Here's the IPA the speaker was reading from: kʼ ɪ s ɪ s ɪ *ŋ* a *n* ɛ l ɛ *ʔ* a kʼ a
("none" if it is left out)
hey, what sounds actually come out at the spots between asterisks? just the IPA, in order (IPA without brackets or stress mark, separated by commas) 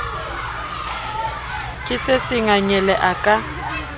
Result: ŋ, ɲ, ʔ